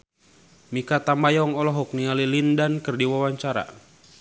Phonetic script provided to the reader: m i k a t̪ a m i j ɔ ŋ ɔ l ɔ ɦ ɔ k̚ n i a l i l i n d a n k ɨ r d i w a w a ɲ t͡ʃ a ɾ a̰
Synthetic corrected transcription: m i k a t̪ a m a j ɔ ŋ ɔ l ɔ ɦ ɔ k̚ n i a l i l i n d a n k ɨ r d i w a w a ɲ t͡ʃ a ɾ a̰